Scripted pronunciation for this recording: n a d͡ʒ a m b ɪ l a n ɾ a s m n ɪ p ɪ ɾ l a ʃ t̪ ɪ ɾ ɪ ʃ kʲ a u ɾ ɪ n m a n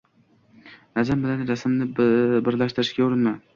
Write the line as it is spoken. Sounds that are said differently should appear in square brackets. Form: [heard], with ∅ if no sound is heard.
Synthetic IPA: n a d͡ʒ a m b ɪ l a n ɾ a s m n ɪ [b] ɪ ɾ l a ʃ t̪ ɪ ɾ ɪ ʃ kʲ a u ɾ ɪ n m a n